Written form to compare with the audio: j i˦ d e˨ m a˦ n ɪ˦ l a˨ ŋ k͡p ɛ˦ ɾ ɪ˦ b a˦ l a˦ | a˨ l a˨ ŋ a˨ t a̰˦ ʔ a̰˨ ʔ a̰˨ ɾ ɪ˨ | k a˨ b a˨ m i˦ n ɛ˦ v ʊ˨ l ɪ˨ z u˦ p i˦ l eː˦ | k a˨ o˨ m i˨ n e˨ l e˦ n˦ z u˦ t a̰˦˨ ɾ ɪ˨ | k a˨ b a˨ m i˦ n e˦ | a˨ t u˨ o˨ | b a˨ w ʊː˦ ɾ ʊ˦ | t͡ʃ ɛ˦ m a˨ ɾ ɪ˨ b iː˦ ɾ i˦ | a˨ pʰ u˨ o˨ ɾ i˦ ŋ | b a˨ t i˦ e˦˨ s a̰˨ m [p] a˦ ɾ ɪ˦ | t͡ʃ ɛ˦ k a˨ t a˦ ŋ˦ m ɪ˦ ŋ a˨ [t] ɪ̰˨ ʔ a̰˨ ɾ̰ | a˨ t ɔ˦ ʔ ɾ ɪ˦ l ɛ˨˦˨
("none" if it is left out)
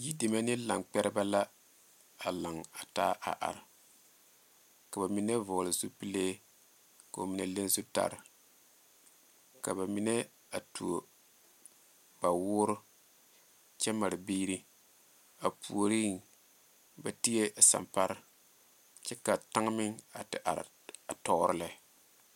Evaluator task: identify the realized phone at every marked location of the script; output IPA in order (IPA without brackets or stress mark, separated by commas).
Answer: p, t